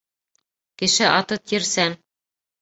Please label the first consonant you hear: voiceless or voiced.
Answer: voiceless